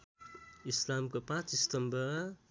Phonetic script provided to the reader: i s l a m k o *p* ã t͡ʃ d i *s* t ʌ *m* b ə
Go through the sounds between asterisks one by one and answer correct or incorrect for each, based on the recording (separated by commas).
correct, correct, correct